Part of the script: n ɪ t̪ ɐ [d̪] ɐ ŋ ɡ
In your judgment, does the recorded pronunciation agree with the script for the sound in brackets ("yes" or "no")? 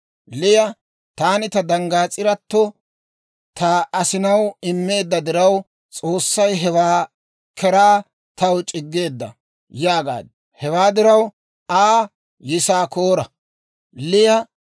yes